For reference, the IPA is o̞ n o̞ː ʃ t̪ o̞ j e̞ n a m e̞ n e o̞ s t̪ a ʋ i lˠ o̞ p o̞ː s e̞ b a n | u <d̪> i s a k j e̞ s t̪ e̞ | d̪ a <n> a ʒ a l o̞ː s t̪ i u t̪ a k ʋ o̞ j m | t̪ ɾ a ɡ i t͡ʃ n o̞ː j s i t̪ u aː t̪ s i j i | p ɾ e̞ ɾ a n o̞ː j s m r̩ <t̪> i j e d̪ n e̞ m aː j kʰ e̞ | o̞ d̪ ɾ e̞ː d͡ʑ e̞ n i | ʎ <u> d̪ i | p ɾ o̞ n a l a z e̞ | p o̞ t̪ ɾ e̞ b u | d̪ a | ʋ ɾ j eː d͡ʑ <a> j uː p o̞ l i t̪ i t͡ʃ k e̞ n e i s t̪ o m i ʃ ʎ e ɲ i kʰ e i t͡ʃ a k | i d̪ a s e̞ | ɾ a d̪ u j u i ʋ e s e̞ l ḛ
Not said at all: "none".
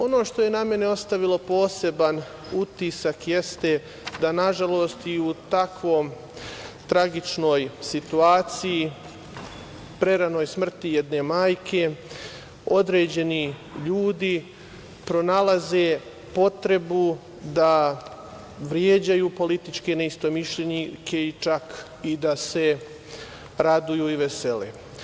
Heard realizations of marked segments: t̪, n, t̪, uː, a

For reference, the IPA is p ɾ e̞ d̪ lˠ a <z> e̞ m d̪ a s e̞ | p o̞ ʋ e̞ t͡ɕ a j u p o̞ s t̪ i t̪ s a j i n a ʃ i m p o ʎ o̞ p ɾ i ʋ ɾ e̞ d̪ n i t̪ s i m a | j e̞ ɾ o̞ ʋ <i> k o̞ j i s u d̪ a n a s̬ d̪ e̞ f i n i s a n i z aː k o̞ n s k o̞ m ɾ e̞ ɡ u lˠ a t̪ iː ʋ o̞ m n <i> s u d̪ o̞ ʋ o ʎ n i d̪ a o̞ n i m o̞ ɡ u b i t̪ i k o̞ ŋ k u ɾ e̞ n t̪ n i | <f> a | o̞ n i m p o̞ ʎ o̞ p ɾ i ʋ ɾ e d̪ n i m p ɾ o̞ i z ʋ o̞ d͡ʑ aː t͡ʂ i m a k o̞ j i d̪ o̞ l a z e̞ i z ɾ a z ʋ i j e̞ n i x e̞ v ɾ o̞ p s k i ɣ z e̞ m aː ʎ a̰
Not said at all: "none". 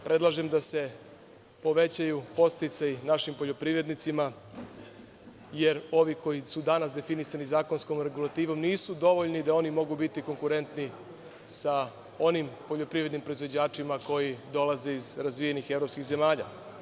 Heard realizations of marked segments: ʒ, i, iː, s

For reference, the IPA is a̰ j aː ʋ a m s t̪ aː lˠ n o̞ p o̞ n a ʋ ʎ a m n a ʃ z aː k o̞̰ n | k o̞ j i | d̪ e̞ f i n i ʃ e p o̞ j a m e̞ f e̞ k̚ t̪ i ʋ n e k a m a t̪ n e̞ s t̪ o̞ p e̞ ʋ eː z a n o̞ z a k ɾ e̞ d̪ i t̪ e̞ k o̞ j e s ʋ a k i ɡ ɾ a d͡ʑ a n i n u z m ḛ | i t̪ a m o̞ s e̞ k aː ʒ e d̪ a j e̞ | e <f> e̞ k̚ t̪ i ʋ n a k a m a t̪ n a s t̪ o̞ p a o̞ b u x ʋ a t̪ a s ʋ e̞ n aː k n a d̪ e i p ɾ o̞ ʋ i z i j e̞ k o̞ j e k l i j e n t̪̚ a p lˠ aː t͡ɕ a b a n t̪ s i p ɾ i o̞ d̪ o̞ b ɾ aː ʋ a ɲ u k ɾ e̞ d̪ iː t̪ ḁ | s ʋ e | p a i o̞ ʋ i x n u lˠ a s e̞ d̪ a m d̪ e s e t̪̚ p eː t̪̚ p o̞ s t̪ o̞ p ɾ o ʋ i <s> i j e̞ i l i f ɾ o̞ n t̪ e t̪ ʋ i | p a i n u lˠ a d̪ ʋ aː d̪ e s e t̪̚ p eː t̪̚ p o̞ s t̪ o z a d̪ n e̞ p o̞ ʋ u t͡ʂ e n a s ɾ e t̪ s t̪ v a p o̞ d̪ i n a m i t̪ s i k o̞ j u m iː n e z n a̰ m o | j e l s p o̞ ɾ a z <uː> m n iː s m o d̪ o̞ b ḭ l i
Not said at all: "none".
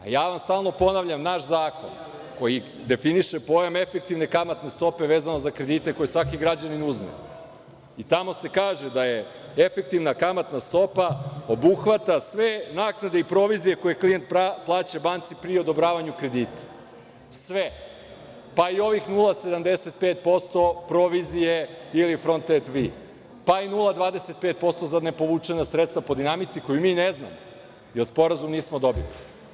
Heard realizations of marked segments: f, z, u

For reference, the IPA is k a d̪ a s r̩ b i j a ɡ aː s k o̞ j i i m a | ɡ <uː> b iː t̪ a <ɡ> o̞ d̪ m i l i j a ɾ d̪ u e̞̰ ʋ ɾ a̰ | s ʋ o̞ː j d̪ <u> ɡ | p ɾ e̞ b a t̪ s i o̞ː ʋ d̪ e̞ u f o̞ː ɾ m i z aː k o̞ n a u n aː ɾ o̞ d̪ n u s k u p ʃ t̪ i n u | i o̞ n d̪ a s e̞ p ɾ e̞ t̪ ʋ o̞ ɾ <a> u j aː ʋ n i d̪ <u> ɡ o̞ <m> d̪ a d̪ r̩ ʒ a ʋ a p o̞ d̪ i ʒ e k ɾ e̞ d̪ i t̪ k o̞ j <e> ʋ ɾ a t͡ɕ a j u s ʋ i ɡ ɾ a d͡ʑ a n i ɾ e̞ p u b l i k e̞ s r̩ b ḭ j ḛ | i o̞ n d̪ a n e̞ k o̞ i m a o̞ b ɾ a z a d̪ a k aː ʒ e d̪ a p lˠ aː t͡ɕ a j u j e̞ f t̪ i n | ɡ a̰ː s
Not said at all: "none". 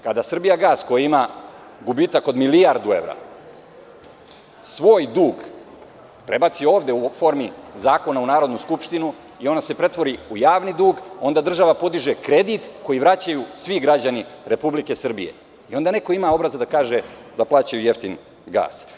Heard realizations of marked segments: u, k, uː, i, uː, n, i

